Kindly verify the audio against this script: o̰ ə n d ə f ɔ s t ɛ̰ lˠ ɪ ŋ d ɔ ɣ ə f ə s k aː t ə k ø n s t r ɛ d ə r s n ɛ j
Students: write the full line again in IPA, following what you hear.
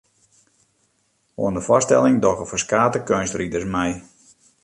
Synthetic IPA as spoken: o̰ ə n d ə f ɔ s t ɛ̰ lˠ ɪ ŋ d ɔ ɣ ə f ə s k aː t ə k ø n s t r i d ə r s m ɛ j